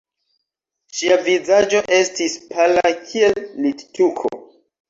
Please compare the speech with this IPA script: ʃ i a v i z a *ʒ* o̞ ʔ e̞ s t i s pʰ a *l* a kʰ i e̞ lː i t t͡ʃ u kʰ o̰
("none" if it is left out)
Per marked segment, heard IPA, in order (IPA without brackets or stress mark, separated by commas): d͡ʒ, l